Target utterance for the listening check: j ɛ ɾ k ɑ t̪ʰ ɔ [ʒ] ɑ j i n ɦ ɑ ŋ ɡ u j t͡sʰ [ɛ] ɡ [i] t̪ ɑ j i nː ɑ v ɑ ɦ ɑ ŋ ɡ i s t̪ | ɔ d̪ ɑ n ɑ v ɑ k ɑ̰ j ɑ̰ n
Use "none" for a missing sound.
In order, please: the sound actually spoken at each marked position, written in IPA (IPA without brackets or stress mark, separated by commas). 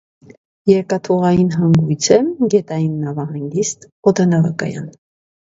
ʁ, ɛ, ɛ